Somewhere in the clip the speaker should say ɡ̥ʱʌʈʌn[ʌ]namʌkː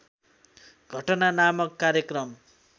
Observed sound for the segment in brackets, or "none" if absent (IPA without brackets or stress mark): a